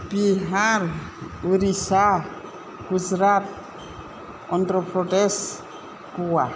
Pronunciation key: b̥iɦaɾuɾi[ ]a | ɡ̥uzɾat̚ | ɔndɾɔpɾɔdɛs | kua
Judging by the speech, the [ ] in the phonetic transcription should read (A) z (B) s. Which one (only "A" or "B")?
B